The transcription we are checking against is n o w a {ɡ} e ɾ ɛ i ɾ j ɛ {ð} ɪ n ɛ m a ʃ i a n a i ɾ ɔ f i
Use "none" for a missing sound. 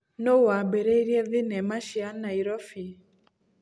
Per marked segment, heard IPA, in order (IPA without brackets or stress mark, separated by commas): b, ð